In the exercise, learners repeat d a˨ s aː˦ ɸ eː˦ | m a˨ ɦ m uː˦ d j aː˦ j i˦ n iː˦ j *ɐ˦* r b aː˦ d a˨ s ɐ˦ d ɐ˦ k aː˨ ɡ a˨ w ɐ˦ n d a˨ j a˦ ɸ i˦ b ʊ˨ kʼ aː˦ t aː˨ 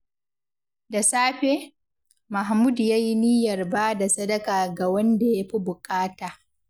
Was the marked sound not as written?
yes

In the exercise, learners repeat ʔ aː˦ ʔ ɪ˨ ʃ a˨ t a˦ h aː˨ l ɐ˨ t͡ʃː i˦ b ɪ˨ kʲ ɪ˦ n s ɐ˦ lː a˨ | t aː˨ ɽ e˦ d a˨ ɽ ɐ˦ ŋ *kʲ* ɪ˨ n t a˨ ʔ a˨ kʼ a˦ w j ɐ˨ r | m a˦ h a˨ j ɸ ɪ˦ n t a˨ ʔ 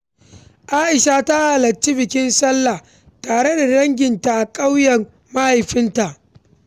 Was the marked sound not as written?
yes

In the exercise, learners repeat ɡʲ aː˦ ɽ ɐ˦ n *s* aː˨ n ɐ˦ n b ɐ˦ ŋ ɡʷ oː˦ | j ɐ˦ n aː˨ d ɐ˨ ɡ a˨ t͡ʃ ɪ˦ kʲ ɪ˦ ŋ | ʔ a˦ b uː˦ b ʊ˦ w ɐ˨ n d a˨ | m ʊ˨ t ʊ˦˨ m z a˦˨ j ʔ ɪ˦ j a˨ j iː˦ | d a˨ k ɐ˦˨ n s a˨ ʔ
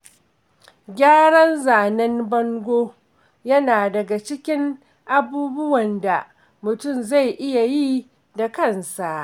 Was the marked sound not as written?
yes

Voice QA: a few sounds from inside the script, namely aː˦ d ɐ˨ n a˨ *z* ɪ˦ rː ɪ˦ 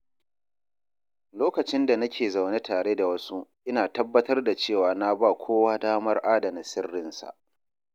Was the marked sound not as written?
yes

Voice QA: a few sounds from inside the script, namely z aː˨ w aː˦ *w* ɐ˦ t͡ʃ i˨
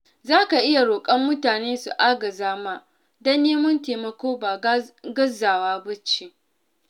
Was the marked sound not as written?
yes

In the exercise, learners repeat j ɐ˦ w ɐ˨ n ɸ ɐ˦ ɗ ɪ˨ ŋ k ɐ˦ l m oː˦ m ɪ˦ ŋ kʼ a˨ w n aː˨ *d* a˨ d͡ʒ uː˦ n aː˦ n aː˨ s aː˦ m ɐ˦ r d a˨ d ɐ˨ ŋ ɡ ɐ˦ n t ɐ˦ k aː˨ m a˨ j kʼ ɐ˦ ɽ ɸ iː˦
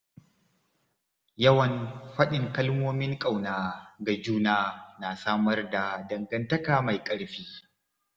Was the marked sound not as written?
yes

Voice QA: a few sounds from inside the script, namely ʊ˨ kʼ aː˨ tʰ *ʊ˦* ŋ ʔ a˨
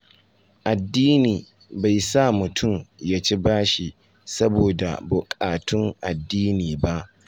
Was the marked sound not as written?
no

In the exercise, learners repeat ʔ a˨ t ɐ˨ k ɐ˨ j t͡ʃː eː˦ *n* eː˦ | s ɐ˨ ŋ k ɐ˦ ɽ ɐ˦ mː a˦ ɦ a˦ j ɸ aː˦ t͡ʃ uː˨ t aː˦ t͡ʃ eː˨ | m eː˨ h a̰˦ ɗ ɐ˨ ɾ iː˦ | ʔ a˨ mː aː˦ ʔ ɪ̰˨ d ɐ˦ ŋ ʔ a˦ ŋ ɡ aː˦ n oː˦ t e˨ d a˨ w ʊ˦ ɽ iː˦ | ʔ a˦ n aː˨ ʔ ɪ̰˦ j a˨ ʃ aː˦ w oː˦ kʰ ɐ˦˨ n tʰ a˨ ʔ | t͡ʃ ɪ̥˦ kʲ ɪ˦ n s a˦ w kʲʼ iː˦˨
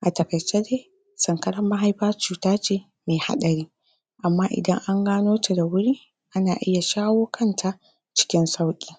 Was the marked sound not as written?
yes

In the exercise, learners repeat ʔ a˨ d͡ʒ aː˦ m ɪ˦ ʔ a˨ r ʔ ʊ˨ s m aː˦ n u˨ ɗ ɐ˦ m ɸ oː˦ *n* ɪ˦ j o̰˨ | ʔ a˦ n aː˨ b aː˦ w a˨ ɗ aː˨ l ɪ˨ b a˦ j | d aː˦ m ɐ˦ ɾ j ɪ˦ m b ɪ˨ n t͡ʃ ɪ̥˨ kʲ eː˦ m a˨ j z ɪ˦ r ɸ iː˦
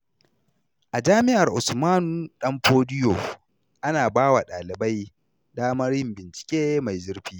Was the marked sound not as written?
yes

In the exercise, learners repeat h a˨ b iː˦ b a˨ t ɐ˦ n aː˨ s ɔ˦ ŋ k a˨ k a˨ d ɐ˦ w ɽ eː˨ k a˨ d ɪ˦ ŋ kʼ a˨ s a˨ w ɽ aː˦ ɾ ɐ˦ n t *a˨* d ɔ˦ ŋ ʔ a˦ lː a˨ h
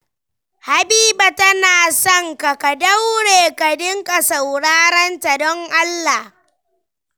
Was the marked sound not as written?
no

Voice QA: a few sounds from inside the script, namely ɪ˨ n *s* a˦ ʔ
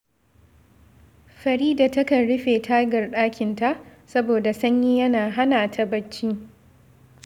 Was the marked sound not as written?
yes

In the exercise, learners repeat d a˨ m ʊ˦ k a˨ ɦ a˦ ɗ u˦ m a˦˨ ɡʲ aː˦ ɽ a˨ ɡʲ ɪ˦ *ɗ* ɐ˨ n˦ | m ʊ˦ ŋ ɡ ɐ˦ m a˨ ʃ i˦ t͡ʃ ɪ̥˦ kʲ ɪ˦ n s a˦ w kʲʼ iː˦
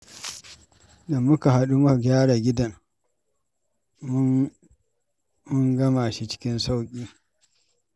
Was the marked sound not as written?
yes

